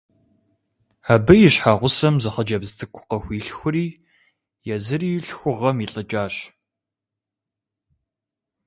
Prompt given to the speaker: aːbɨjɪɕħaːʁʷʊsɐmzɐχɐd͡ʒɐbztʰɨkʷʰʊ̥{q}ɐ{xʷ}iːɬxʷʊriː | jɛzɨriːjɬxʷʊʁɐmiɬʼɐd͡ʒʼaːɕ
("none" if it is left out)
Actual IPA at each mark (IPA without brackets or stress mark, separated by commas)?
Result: q, xʷ